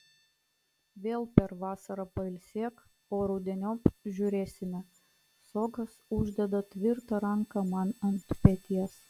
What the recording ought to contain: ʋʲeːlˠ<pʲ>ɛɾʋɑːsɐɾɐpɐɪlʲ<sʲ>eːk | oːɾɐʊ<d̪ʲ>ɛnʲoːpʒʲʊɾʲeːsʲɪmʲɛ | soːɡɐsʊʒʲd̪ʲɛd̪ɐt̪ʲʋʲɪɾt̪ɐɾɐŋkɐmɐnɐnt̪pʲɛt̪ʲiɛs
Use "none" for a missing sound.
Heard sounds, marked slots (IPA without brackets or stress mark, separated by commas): pʲ, sʲ, d̪ʲ